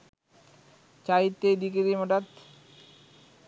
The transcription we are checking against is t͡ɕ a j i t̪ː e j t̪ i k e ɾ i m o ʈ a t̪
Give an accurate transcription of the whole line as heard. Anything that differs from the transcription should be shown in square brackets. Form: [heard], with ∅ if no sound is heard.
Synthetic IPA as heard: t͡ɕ a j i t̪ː e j [d̪] i k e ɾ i m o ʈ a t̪